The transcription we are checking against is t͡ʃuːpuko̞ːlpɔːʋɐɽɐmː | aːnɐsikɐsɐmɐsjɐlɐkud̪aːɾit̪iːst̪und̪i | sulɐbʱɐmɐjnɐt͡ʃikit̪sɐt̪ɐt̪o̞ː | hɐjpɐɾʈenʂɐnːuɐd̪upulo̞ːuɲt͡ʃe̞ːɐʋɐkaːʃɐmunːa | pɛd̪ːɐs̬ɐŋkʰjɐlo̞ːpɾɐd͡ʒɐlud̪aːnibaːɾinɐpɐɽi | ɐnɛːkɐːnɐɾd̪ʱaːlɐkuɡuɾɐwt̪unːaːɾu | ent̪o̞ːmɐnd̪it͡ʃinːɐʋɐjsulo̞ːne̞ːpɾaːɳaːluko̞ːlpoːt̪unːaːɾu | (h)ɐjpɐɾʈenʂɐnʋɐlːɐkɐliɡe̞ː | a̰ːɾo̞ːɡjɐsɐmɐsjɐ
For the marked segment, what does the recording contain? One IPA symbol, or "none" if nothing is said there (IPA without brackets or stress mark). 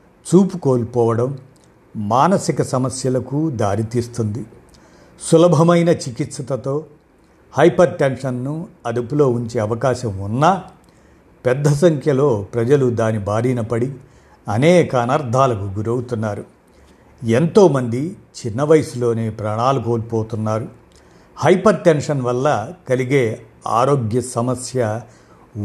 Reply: h